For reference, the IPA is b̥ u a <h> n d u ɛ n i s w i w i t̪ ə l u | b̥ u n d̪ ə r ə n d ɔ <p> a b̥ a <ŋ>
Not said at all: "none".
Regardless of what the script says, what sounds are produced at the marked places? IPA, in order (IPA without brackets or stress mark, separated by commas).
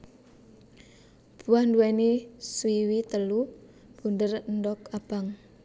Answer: h, k, ŋ